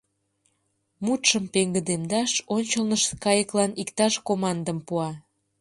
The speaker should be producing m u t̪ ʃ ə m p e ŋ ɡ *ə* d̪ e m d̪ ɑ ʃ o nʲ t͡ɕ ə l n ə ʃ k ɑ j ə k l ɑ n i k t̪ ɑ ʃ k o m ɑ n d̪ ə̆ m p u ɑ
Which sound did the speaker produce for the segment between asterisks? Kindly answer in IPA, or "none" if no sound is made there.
ə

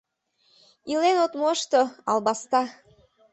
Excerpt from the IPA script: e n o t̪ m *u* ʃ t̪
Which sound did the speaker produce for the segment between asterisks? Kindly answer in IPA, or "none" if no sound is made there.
o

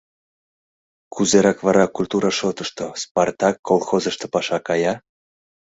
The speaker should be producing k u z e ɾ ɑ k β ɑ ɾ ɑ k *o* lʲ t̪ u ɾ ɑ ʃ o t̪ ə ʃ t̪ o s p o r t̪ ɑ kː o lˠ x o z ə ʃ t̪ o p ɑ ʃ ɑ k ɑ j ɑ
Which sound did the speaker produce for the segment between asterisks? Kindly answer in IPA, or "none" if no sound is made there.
u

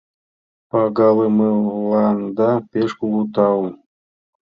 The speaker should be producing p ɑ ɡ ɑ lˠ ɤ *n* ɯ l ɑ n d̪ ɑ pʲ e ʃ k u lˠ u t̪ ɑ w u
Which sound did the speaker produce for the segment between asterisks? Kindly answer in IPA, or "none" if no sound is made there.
m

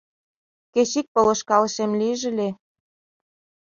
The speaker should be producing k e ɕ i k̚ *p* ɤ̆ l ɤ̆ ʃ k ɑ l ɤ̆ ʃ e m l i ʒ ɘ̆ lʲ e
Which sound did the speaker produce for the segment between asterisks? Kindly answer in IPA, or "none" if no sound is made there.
p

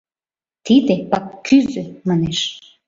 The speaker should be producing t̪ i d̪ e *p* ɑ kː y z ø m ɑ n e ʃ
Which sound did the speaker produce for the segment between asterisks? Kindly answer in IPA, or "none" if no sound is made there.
p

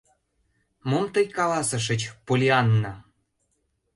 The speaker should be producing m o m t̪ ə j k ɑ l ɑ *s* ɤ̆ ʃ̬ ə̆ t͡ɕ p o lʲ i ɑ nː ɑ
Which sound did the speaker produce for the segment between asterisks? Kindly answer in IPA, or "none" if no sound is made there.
s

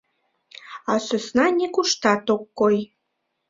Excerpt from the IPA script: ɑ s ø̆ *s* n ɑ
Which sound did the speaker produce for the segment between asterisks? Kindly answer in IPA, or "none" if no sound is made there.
s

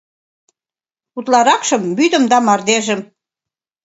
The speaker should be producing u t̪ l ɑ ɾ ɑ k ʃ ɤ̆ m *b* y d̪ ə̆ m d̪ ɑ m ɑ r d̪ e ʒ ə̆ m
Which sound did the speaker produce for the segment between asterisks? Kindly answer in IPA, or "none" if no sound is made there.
b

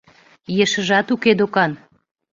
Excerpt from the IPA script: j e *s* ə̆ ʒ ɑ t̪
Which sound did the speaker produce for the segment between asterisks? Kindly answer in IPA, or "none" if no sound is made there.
ʃ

